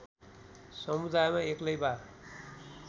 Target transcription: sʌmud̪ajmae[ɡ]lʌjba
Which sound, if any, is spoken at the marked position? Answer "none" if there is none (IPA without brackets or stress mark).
k